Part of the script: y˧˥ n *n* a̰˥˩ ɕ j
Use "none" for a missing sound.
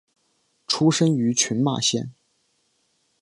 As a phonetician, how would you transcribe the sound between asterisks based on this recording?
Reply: m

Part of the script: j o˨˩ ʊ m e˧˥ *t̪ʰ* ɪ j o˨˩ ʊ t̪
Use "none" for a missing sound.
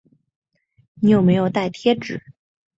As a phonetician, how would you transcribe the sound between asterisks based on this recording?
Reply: none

